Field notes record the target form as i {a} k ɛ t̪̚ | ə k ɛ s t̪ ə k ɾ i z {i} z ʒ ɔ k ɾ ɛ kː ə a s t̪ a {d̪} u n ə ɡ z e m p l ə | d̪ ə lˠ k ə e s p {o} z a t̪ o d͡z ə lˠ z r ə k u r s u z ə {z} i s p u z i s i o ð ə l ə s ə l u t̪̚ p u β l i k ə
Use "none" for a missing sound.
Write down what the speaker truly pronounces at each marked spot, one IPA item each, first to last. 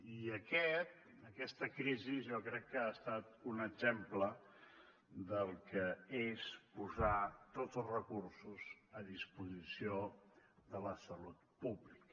ə, i, t̪, u, ð

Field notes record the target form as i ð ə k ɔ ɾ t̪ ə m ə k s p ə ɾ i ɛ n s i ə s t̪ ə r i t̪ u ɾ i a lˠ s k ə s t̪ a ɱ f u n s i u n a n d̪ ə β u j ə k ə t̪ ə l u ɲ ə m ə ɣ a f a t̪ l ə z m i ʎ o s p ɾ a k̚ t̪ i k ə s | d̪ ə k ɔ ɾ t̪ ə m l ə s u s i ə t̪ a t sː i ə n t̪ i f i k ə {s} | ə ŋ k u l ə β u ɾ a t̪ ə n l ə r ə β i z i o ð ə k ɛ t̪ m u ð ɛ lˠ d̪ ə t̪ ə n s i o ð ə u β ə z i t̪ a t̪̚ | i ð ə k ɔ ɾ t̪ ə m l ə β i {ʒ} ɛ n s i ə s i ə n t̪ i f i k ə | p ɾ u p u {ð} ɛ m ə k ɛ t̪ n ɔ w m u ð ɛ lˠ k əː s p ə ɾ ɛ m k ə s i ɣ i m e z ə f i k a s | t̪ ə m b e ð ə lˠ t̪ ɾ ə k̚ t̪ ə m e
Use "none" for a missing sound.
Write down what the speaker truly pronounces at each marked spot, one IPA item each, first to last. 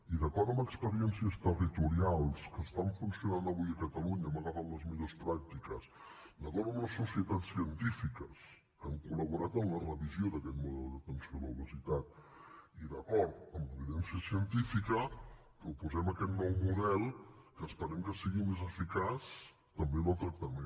s, ð, z

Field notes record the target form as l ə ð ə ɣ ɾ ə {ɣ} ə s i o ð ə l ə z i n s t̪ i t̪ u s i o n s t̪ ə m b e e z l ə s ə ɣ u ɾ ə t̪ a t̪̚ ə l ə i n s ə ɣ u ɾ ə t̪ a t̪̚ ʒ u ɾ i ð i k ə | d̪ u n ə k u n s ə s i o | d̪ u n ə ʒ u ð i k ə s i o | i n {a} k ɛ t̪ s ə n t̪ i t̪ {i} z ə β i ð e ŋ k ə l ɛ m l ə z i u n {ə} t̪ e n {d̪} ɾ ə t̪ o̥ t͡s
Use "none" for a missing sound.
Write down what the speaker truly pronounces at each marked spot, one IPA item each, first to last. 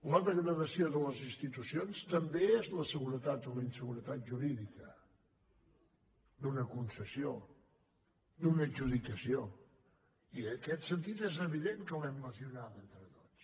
ð, ə, e, a, t̪

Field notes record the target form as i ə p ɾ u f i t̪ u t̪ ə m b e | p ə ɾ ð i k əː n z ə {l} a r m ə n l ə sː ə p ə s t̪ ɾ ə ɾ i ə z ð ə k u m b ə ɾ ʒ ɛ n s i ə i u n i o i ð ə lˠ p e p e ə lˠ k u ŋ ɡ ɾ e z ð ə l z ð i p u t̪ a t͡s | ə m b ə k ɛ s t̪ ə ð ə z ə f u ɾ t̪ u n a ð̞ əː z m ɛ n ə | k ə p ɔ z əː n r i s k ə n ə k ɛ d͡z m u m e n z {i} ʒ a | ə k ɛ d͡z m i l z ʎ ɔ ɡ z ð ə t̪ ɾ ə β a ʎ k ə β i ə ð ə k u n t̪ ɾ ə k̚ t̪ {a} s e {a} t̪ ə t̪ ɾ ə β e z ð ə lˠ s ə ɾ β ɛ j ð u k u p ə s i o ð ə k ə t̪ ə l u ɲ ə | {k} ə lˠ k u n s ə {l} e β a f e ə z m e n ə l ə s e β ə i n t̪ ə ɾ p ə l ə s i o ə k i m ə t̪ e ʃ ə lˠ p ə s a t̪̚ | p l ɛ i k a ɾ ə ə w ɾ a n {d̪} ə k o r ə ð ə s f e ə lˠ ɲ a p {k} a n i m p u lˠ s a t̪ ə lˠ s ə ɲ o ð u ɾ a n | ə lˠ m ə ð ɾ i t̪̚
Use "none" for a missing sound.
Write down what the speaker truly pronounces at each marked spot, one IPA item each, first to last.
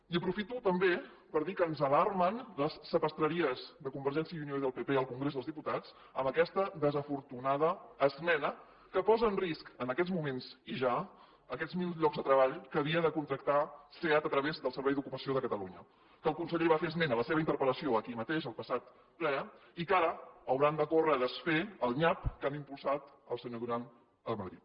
l, i, a, a, k, ʎ, d̪, k

